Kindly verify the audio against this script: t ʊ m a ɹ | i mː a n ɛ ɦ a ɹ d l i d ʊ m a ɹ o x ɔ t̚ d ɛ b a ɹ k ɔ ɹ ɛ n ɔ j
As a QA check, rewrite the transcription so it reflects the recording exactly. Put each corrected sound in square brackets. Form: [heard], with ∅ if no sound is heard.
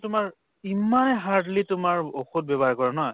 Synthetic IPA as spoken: t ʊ m a ɹ | i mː a n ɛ ɦ a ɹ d l i [t] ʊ m a ɹ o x [u] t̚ [b] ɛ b a ɹ k ɔ ɹ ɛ n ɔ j